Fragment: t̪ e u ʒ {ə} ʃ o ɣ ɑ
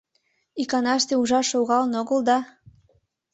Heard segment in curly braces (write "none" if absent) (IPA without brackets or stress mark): ɑ